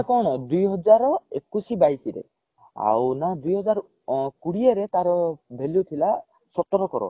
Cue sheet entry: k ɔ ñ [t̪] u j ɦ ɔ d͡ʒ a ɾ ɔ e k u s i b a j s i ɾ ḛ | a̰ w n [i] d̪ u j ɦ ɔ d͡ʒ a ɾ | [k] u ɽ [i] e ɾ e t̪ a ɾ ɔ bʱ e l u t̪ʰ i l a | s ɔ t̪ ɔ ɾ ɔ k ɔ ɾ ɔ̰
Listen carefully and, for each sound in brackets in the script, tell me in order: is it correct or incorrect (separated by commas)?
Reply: incorrect, incorrect, correct, correct